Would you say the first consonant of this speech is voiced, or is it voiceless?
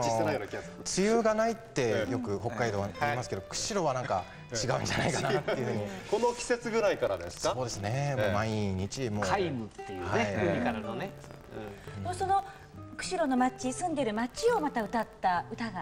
voiceless